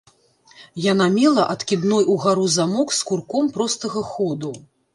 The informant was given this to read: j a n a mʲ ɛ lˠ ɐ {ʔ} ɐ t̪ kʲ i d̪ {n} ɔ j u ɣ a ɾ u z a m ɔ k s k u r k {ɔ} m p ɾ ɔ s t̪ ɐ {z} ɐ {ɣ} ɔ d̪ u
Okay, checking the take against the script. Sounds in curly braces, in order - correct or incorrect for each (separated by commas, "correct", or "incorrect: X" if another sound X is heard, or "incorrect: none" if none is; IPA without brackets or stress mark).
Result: correct, correct, correct, incorrect: ɣ, incorrect: x